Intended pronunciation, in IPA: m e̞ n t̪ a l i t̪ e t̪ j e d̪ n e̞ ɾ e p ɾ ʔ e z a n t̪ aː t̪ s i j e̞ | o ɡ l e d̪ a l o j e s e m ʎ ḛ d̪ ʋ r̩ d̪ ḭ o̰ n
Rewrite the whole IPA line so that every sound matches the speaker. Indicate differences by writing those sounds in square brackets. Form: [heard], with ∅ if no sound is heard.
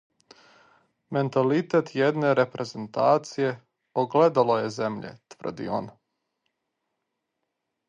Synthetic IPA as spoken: m e̞ n t̪ a l i t̪ e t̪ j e d̪ n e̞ ɾ e p ɾ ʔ e z [e] n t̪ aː t̪ s i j e̞ | o ɡ l e d̪ a l o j e [z] e m ʎ ḛ [t̪] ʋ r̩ d̪ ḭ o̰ n